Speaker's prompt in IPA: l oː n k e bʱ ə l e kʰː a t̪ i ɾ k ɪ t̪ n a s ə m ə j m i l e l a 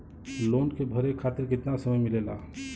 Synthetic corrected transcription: l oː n k e bʱ ə ɾ e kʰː a t̪ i ɾ k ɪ t̪ n a s ə m ə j m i l e l a